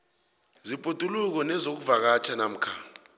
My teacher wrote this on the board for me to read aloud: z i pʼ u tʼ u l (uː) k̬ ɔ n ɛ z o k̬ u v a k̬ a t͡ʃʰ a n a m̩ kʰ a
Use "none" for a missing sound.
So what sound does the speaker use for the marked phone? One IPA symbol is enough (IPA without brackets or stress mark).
u